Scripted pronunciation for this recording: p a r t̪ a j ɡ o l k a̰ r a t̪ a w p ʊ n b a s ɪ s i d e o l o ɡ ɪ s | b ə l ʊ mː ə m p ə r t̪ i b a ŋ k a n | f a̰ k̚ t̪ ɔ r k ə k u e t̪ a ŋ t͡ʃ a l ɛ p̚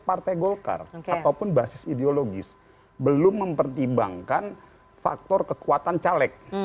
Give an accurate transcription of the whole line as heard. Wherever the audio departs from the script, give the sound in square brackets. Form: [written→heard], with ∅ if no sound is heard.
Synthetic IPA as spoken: p a r t̪ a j ɡ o l k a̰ r a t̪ a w p ʊ n b a s ɪ s i d e o l o ɡ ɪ s | b ə l ʊ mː ə m p ə r t̪ i b a ŋ k a n | f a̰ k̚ t̪ ɔ r k ə k u [e→a] t̪ a [ŋ→n] t͡ʃ a l ɛ [p̚→k̚]